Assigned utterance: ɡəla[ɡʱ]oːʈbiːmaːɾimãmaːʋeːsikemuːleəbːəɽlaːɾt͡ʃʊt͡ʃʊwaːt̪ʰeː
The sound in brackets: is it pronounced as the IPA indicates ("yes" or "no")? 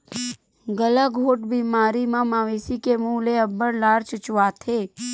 yes